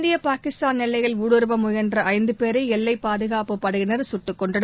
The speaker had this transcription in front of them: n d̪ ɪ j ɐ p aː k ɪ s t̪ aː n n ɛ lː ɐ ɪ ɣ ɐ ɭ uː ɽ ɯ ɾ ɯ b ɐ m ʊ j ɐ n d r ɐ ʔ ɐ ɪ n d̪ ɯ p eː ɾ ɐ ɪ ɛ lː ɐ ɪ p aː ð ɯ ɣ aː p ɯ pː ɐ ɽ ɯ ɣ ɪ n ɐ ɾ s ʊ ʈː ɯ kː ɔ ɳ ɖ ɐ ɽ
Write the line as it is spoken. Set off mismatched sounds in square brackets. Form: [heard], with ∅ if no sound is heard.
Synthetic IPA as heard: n d̪ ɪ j ɐ p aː k ɪ s t̪ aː n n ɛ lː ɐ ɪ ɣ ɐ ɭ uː ɽ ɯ ɾ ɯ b ɐ m ʊ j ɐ n d r ɐ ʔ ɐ ɪ n d̪ ɯ p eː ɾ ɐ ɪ ɛ lː ɐ ɪ p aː ð ɯ ɣ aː p ɯ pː ɐ ɽ ɯ ɣ ɪ n ɐ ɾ s ʊ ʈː ɯ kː ɔ ɳ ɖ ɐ ɽ

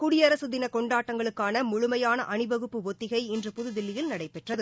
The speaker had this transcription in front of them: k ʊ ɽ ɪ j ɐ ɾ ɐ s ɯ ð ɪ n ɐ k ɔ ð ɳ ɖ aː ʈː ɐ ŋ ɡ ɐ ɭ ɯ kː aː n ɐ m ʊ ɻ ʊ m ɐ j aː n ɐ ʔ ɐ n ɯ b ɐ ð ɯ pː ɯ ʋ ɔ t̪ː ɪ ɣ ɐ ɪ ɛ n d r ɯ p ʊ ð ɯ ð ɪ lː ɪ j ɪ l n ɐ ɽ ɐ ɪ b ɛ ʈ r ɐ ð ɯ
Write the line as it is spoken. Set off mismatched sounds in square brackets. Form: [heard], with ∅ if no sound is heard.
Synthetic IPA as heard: k ʊ ɽ ɪ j ɐ ɾ ɐ s ɯ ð ɪ n ɐ k ɔ [∅] ɳ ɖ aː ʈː ɐ ŋ ɡ ɐ ɭ ɯ kː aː n ɐ m ʊ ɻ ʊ m ɐ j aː n ɐ ʔ ɐ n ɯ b ɐ [ɣ] ɯ pː ɯ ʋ ɔ t̪ː ɪ ɣ ɐ ɪ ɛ n d r ɯ p ʊ ð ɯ ð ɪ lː ɪ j ɪ l n ɐ ɽ ɐ ɪ [p] ɛ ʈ r ɐ ð ɯ

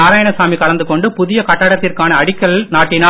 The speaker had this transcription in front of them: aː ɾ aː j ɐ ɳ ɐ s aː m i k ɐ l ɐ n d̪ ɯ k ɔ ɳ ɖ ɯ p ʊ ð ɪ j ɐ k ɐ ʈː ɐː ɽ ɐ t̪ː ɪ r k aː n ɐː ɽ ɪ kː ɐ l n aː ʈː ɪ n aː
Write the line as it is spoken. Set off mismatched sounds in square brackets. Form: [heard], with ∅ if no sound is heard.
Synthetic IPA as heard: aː ɾ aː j ɐ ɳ ɐ s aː m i k ɐ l ɐ n d̪ ɯ k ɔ ɳ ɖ ɯ p ʊ ð ɪ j ɐ k ɐ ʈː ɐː ɽ ɐ t̪ː ɪ r k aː n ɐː ɽ ɪ kː ɐ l n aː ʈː ɪ n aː

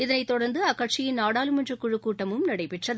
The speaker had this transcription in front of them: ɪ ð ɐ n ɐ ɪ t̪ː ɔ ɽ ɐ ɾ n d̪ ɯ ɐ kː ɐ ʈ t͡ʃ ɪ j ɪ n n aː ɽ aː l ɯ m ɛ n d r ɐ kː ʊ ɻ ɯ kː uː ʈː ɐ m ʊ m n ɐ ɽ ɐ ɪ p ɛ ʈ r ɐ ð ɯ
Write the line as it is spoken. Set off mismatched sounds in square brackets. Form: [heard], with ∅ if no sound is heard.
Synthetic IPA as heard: ɪ ð ɐ n ɐ ɪ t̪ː ɔ ɽ ɐ ɾ n d̪ ɯ ɐ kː ɐ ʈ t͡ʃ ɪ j ɪ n n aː ɽ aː l ɯ m ɛ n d r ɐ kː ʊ ɻ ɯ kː uː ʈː ɐ m [ɯ] m n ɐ ɽ ɐ ɪ p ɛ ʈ r ɐ ð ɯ

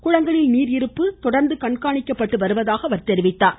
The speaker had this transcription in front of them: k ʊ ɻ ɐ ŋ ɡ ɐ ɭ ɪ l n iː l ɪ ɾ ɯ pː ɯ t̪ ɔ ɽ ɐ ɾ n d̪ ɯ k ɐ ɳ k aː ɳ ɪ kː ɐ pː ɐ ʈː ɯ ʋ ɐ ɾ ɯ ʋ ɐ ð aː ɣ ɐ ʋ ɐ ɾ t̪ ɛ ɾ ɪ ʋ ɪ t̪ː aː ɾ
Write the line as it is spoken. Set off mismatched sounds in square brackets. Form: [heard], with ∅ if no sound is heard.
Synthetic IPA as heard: k ʊ ɻ ɐ ŋ ɡ ɐ ɭ ɪ l n iː [ɾ] ɪ ɾ ɯ pː ɯ t̪ ɔ ɽ ɐ ɾ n d̪ ɯ k ɐ ɳ k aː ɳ ɪ kː ɐ pː ɐ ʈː ɯ ʋ ɐ ɾ ɯ ʋ ɐ ð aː ɣ ɐ ʋ ɐ ɾ t̪ ɛ ɾ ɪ ʋ ɪ t̪ː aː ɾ

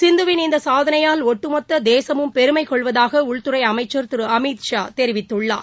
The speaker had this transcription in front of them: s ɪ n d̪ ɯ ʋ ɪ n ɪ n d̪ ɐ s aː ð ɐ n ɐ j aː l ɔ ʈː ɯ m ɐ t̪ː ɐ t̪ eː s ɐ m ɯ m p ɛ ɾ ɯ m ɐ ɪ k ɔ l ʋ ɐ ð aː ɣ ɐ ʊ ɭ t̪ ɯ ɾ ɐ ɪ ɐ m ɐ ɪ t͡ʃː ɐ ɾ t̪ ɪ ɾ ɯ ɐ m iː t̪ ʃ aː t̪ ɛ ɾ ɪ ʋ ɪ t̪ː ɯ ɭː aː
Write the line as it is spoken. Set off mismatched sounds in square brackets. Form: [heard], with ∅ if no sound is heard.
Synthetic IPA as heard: s ɪ n d̪ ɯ ʋ ɪ n ɪ n d̪ ɐ s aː ð ɐ n ɐ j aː l ɔ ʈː ɯ m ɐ t̪ː ɐ [d̪] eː s ɐ m ɯ m p ɛ ɾ ɯ m ɐ ɪ k ɔ [ɭ] ʋ ɐ ð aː ɣ ɐ ʊ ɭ t̪ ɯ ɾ ɐ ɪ ɐ m ɐ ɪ t͡ʃː ɐ ɾ t̪ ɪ ɾ ɯ ɐ m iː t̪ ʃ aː t̪ ɛ ɾ ɪ ʋ ɪ t̪ː ɯ ɭː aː

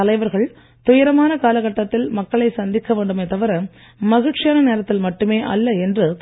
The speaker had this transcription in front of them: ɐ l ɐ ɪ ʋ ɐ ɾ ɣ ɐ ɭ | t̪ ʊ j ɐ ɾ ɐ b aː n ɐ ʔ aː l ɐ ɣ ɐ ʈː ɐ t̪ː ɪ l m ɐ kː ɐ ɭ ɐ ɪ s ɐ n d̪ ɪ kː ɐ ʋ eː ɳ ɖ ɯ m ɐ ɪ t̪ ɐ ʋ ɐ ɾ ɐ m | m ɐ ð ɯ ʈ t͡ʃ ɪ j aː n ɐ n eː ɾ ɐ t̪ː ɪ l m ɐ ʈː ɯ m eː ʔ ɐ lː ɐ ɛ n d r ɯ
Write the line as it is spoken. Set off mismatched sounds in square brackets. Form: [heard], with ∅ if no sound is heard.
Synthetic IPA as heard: ɐ l ɐ ɪ ʋ ɐ ɾ ɣ ɐ ɭ | t̪ ʊ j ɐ ɾ ɐ [m] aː n ɐ [k] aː l ɐ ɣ ɐ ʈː ɐ t̪ː ɪ l m ɐ kː ɐ ɭ ɐ ɪ s ɐ n d̪ ɪ kː ɐ ʋ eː ɳ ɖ ɯ m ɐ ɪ t̪ ɐ ʋ ɐ ɾ ɐ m | m ɐ [ɣ] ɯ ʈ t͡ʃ ɪ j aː n ɐ n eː ɾ ɐ t̪ː ɪ l m ɐ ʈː ɯ m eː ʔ ɐ lː ɐ ɛ n d r ɯ

